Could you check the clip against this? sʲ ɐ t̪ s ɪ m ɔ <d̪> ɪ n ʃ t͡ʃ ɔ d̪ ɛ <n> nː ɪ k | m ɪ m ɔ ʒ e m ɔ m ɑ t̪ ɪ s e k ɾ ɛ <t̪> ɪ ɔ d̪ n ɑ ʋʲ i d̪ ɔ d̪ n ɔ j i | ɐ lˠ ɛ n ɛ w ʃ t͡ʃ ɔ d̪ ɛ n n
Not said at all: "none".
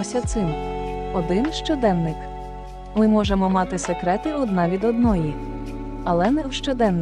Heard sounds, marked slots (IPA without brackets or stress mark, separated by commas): d̪, n, t̪